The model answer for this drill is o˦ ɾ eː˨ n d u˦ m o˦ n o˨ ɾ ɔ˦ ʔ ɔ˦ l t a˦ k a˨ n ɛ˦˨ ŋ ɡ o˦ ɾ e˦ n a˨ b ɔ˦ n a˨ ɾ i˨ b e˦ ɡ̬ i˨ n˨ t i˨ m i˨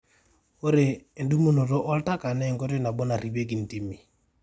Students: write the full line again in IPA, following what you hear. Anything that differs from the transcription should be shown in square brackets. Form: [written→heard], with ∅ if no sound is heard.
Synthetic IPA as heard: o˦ ɾ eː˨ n d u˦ m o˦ n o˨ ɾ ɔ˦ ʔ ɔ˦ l t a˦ k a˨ n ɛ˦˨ ŋ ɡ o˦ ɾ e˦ n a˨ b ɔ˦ n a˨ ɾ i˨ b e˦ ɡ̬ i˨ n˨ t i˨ m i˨